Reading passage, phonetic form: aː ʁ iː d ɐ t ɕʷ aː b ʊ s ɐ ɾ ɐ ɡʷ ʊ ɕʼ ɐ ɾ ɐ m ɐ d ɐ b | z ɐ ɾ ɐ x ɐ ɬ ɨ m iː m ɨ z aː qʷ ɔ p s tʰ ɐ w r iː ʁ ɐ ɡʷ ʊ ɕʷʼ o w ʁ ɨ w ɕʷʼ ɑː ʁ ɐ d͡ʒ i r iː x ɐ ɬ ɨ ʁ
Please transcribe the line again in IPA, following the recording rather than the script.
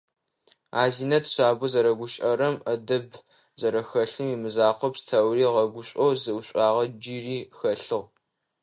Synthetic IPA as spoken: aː z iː n ɐ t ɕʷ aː b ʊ z ɐ ɾ ɐ ɡʷ ʊ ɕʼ ɐ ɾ ɐ m ɐ d ɐ b | z ɐ ɾ ɐ x ɐ ɬ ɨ m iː m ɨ z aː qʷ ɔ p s tʰ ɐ w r iː ʁ ɐ ɡʷ ʊ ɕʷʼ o w z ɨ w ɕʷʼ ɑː ʁ ɐ d͡ʒ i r iː x ɐ ɬ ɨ ʁ

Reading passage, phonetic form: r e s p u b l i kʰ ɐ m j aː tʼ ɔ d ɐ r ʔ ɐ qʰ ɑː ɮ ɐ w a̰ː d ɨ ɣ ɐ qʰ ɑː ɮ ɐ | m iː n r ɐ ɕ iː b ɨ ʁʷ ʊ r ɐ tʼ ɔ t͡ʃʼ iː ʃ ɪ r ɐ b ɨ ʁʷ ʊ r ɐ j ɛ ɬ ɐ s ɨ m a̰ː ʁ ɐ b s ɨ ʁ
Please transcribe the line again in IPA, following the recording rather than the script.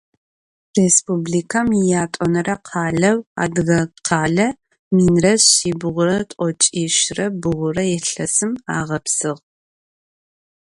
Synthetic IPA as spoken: r e s p u b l i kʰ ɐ m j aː tʼ ɔ n ɐ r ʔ ɐ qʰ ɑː ɮ ɐ w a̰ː d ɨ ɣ ɐ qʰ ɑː ɮ ɐ | m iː n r ɐ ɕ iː b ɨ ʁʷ ʊ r ɐ tʼ ɔ t͡ʃʼ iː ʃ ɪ r ɐ b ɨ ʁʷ ʊ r ɐ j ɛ ɬ ɐ s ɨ m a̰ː ʁ ɐ p s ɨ ʁ

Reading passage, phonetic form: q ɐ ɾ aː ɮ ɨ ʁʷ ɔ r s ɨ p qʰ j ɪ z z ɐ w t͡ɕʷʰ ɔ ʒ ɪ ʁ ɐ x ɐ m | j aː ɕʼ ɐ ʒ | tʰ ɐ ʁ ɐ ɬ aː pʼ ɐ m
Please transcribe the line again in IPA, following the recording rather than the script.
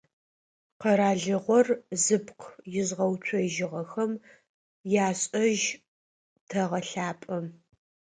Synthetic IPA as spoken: q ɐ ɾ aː ɮ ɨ ʁʷ ɔ r z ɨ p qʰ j ɪ z ʁ ɐ w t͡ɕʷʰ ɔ ʒ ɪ ʁ ɐ x ɐ m | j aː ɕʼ ɐ ʒ | tʰ ɐ ʁ ɐ ɬ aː pʼ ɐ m

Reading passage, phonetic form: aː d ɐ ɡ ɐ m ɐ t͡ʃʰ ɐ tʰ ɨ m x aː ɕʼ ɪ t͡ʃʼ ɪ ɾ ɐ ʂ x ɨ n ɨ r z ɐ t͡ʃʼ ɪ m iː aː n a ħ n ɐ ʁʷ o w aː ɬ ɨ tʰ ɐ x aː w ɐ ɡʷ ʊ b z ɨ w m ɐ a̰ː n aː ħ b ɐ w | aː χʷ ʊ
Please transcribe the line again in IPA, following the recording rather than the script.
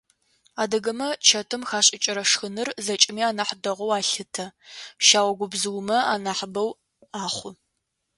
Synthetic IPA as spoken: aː d ɐ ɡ ɐ m ɐ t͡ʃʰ ɐ tʰ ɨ m x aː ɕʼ ɪ t͡ʃʼ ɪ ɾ ɐ ʂ x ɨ n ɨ r z ɐ t͡ʃʼ ɪ m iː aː n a ħ d ɐ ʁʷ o w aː ɬ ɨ tʰ ɐ ʃ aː w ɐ ɡʷ ʊ b z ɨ w m ɐ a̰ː n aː ħ b ɐ w | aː χʷ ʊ

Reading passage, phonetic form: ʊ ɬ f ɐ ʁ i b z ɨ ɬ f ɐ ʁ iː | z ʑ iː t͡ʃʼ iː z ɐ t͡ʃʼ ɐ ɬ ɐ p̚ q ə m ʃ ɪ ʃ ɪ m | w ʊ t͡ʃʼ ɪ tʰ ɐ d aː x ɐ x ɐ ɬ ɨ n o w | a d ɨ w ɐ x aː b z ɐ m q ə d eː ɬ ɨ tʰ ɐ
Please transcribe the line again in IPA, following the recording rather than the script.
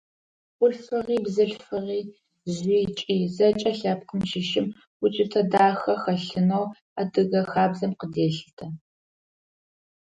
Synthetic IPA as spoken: ʊ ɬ f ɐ ʁ iː b z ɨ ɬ f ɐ ʁ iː | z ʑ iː t͡ʃʼ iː z ɐ t͡ʃʼ ɐ ɬ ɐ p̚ q ə m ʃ ɪ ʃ ɪ m | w ʊ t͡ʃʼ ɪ tʰ ɐ d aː x ɐ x ɐ ɬ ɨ n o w | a d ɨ ɣ ɐ x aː b z ɐ m q ə d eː ɬ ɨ tʰ ɐ

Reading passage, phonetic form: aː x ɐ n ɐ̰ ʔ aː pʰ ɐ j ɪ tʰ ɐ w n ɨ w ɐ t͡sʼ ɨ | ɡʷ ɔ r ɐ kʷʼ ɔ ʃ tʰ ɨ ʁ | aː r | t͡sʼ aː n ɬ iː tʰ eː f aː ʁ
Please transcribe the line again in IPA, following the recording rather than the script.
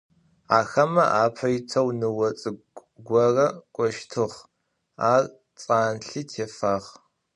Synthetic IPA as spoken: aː x ɐ m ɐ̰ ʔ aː pʰ ɐ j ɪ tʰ ɐ w n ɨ w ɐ t͡sʼ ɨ | ɡʷ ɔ r ɐ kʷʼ ɔ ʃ tʰ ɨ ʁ | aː r | t͡sʼ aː n ɬ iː tʰ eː f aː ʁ

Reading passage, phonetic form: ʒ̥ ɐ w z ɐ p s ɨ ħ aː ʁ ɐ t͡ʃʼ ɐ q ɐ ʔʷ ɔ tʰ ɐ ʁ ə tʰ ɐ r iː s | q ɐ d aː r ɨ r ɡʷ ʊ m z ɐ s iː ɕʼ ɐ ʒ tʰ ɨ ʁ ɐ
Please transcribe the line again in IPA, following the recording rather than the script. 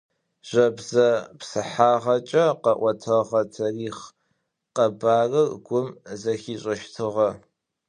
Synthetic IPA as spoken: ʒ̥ ɐ b z ɐ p s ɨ ħ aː ʁ ɐ t͡ʃʼ ɐ q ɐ ʔʷ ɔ tʰ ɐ ʁ ɐ tʰ ɐ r iː χ | q ɐ b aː r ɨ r ɡʷ ʊ m z ɐ x iː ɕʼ ɐ ʃ tʰ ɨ ʁ ɐ

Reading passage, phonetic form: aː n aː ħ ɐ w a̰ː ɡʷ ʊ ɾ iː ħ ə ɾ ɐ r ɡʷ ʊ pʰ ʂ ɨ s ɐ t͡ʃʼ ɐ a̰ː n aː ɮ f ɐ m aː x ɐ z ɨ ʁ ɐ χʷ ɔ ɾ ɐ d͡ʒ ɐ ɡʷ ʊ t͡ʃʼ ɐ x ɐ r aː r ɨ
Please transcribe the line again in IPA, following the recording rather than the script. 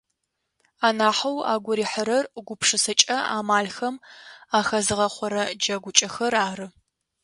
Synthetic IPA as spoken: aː n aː ħ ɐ w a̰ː ɡʷ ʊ ɾ iː ħ ə ɾ ɐ r ɡʷ ʊ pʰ ʂ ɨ s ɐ t͡ʃʼ ɐ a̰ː m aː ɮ x ɐ m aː x ɐ z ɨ ʁ ɐ χʷ ɔ ɾ ɐ d͡ʒ ɐ ɡʷ ʊ t͡ʃʼ ɐ x ɐ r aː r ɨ

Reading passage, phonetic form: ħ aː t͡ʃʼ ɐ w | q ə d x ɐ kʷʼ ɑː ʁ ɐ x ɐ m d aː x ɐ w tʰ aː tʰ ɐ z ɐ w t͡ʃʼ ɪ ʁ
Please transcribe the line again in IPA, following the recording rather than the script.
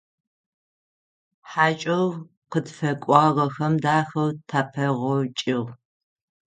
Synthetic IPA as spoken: ħ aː t͡ʃʼ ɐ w | q ə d f ɐ kʷʼ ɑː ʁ ɐ x ɐ m d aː x ɐ w tʰ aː pʰ ɐ ʁ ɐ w t͡ʃʼ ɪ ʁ

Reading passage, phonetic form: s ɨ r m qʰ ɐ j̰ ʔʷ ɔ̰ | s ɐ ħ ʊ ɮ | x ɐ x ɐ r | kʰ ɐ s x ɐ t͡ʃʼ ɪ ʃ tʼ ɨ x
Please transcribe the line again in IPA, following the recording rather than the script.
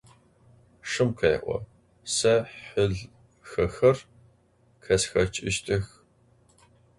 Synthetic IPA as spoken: ʂ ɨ m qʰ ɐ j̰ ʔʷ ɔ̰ | s ɐ ħ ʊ ɮ | x ɐ x ɐ r | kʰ ɐ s x ɐ t͡ʃʼ ɪ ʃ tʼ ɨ x

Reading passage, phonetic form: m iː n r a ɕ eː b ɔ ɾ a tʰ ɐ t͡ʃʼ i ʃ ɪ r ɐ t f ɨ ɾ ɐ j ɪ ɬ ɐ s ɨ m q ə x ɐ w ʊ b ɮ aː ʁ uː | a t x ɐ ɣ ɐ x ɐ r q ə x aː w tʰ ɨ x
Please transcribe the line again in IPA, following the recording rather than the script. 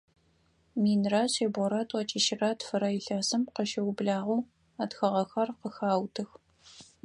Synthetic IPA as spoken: m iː n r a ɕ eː b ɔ ɾ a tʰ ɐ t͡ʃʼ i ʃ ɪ r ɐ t f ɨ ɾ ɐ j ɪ ɬ ɐ s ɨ m q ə ʃ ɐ w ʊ b ɮ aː ʁ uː | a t x ɐ ʁ ɐ x ɐ r q ə x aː w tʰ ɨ x

